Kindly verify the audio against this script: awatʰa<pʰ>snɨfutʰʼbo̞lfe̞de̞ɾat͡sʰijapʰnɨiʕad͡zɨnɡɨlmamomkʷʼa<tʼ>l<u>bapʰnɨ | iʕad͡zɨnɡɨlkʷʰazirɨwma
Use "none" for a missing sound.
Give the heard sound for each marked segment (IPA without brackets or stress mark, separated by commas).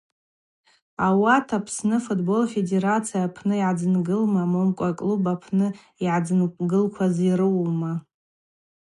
pʰ, kʼ, u